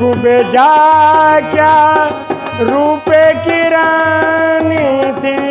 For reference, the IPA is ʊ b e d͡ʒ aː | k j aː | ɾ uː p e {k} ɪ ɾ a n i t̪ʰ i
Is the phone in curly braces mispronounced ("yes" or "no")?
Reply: no